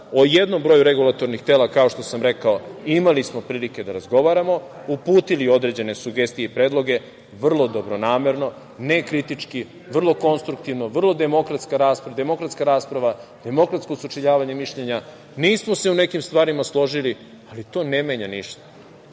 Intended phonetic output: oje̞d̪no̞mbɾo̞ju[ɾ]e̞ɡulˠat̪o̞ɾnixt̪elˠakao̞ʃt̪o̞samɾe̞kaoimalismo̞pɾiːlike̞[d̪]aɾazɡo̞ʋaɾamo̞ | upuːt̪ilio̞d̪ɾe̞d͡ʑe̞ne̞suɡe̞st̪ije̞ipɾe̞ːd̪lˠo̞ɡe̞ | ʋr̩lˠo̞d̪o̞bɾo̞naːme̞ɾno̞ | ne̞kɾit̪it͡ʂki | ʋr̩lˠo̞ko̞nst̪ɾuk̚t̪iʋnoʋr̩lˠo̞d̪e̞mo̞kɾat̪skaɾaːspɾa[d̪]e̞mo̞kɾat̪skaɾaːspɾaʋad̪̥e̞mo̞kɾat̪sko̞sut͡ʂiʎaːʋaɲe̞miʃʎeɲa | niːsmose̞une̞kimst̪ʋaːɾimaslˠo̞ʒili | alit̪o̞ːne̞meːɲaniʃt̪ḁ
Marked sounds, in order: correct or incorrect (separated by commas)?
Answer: correct, correct, correct